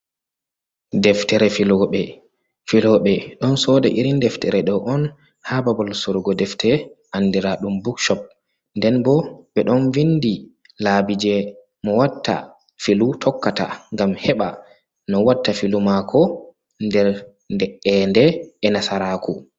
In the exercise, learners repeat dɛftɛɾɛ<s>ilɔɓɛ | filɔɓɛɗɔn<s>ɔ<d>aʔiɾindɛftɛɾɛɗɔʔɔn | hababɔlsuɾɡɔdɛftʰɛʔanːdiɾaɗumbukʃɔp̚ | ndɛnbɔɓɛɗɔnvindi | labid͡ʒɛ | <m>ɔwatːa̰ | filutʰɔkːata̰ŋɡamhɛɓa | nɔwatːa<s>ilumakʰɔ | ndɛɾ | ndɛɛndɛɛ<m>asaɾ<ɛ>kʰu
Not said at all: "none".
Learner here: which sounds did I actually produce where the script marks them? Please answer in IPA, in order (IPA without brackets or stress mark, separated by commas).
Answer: f, s, d, m, f, n, a